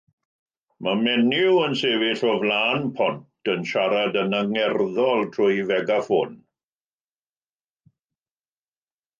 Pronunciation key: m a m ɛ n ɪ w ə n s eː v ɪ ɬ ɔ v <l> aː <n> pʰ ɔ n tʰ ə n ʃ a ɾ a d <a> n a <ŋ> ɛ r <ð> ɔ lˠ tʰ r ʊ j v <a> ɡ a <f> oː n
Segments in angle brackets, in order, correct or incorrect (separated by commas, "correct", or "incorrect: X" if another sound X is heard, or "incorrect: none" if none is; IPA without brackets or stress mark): correct, correct, incorrect: ə, correct, correct, incorrect: ɛ, correct